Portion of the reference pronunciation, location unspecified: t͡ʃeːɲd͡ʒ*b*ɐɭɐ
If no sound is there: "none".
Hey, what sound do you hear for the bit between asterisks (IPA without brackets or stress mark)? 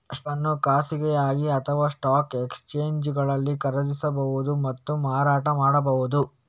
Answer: ɡ